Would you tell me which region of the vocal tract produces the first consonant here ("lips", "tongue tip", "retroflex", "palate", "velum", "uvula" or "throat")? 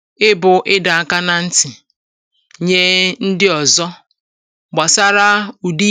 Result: lips